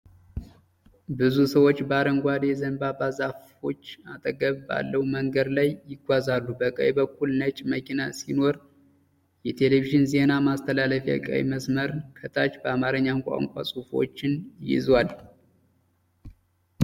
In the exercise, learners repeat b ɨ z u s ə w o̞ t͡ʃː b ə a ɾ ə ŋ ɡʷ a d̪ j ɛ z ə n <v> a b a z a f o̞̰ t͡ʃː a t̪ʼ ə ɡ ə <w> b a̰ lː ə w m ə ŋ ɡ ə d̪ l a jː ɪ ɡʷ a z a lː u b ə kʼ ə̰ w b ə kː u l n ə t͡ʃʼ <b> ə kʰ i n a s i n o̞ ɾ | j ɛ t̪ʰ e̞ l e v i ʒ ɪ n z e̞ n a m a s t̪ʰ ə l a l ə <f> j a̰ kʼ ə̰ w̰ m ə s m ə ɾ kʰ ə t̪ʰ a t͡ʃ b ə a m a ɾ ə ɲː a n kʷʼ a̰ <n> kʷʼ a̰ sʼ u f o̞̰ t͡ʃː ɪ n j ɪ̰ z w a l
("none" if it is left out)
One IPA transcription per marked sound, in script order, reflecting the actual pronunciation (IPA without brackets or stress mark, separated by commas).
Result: b, β, m, f, ŋ